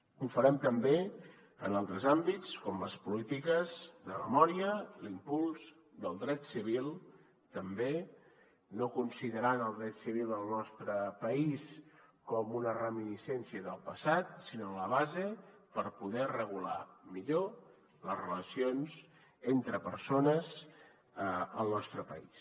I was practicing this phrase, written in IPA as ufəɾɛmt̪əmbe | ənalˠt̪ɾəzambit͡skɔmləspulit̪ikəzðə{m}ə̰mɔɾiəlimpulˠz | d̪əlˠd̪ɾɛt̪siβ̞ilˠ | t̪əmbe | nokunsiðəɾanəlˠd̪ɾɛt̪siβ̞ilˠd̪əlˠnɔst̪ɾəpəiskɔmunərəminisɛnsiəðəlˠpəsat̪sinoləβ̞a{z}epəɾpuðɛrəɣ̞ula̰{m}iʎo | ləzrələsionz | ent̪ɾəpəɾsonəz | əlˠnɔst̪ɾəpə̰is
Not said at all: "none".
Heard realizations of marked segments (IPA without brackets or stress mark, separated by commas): m, z, m